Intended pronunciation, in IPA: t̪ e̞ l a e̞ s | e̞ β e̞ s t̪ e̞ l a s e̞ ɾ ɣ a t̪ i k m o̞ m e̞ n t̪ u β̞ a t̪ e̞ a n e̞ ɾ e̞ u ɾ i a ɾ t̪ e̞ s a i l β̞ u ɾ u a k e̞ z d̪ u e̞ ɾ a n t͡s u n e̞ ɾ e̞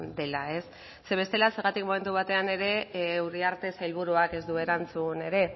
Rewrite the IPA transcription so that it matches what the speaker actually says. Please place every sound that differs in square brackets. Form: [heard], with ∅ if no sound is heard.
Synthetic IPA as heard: [d̪] e̞ l a e̞ [sː] | e̞ β e̞ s t̪ e̞ l a s e̞ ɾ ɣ a t̪ i k m o̞ m e̞ n t̪ u β̞ a t̪ e̞ a n e̞ ɾ e̞ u ɾ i a ɾ t̪ e̞ s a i l β̞ u ɾ u a k e̞ z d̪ u e̞ ɾ a n t͡s u n e̞ ɾ e̞